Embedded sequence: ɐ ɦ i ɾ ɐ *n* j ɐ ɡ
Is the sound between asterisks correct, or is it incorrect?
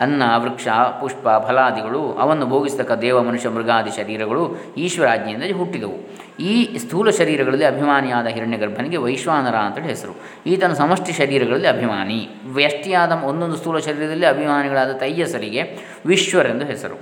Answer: incorrect